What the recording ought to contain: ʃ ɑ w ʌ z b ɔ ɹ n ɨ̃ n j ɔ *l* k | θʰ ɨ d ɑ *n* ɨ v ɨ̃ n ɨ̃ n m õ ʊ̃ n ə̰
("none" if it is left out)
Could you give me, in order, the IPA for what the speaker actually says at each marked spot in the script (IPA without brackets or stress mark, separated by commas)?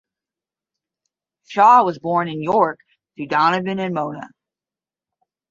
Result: ɹ, n